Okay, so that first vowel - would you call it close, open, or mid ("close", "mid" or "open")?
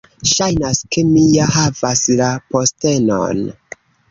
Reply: open